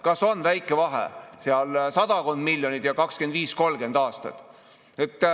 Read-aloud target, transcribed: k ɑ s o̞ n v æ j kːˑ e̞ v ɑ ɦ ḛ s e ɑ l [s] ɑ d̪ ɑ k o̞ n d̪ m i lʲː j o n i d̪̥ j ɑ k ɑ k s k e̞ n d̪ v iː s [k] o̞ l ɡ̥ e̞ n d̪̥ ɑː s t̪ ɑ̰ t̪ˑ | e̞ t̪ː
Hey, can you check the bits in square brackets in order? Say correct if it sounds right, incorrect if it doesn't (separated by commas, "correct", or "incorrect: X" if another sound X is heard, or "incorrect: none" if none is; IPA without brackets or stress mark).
correct, correct